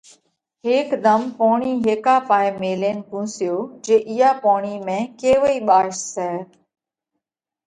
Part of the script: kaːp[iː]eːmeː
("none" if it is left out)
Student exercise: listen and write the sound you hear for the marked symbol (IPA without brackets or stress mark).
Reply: aː